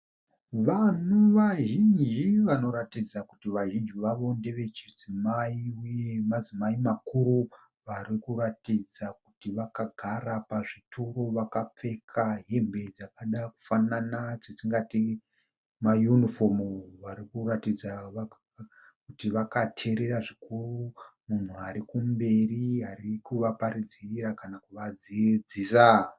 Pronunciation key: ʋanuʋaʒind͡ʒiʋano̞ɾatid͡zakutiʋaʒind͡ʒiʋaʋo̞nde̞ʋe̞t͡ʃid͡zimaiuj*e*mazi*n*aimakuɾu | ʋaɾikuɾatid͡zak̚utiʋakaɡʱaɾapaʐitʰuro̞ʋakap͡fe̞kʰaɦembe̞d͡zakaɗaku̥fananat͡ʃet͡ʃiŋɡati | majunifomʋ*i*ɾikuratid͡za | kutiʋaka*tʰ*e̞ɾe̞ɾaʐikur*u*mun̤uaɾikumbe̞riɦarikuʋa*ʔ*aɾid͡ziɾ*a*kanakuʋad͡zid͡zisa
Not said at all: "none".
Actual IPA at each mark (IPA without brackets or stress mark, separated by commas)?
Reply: e, m, a, tʰ, u, p, a